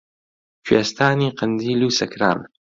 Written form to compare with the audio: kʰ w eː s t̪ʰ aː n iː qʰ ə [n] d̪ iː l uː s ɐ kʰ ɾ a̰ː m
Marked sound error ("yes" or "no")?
no